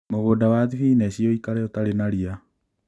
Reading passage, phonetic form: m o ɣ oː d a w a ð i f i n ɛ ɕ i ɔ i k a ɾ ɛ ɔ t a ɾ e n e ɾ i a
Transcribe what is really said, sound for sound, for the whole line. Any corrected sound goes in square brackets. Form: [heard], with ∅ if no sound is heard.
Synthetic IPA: m o ɣ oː d a w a ð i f i n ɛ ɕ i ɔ i k a ɾ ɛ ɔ t a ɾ e n [a] ɾ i a